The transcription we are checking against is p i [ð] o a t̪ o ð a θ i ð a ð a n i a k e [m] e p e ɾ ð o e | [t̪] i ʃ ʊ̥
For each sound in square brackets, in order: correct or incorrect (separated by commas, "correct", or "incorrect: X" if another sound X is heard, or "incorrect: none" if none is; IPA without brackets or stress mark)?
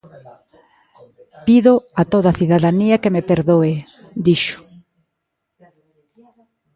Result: correct, correct, incorrect: d̪